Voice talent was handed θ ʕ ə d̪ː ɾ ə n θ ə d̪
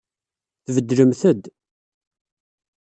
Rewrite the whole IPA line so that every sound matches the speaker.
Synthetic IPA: θ v ə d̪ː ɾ ə m θ ə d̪